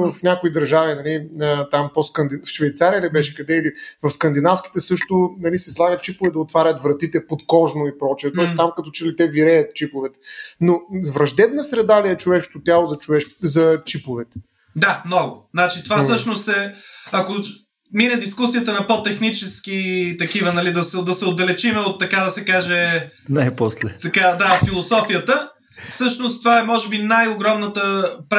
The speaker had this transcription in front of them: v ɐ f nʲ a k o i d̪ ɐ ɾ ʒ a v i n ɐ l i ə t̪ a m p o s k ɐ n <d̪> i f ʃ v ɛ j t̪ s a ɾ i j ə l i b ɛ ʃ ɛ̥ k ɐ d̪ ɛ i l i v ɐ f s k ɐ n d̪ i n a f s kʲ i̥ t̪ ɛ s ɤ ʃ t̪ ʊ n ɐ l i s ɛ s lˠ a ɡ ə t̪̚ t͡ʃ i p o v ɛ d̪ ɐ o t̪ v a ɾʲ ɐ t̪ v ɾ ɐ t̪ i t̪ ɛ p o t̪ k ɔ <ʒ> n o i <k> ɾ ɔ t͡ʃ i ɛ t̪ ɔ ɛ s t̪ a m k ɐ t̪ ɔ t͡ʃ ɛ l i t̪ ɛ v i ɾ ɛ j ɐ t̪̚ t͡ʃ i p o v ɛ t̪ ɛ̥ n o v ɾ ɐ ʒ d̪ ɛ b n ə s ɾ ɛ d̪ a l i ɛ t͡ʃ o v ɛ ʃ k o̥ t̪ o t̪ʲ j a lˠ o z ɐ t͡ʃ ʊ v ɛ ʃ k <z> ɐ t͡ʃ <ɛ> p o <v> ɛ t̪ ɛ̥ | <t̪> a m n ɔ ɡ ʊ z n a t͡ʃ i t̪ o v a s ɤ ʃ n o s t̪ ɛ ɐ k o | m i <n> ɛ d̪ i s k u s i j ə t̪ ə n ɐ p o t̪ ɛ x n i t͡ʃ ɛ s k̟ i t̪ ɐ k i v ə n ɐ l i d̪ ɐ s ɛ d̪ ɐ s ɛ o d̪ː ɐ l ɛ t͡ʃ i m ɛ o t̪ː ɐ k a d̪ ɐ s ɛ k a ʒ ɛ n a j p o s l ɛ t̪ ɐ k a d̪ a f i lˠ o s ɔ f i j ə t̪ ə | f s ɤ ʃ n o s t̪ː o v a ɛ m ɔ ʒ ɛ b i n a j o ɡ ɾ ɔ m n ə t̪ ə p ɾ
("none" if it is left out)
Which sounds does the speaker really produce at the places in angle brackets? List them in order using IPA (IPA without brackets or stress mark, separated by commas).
d̪, ʒ, p, z, i, v, d̪, n